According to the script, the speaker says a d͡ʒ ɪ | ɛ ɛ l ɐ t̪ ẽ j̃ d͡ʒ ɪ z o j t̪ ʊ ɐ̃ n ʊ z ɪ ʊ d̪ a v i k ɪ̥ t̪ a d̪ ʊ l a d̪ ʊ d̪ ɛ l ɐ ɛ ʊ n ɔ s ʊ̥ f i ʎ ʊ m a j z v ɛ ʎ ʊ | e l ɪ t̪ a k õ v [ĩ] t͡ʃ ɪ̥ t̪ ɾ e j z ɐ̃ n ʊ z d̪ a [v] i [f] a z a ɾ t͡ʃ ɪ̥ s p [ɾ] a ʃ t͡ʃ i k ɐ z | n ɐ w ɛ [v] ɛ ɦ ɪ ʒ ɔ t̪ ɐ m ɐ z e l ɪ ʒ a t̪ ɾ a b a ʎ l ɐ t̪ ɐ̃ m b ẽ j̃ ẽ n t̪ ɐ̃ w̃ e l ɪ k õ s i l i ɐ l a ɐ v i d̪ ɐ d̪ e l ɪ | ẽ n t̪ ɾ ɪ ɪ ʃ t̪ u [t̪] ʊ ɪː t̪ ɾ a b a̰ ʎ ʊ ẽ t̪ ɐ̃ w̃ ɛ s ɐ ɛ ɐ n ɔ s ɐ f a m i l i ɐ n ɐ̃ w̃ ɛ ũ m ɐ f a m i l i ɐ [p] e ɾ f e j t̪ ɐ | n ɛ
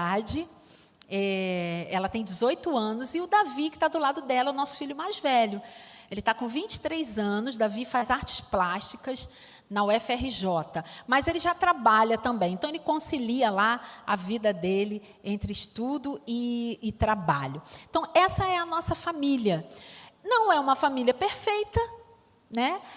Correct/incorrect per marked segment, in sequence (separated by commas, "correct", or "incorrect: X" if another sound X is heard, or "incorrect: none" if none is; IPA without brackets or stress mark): correct, correct, correct, incorrect: l, incorrect: f, incorrect: d̪, correct